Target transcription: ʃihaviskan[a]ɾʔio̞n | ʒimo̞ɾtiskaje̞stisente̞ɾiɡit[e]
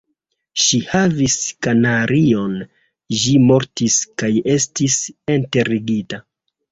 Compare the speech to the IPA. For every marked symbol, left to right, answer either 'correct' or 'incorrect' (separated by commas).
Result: correct, incorrect